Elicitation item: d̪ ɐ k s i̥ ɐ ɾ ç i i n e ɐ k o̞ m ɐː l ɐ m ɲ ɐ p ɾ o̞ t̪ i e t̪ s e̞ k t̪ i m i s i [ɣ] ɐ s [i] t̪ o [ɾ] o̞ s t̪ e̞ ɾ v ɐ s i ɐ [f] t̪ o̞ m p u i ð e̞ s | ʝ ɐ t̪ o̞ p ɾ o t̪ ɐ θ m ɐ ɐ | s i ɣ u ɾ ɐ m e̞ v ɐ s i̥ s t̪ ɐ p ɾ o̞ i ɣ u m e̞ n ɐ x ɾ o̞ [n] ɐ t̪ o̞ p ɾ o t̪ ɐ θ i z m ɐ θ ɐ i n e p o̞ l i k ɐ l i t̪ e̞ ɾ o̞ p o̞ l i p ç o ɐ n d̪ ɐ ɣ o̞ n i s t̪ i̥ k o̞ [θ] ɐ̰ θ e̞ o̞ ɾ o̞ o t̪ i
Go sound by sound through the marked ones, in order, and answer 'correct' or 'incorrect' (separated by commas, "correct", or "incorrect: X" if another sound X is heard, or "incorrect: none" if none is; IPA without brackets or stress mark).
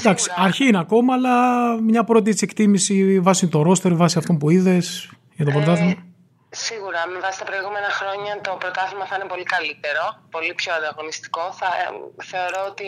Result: incorrect: v, correct, correct, correct, incorrect: ɲ, correct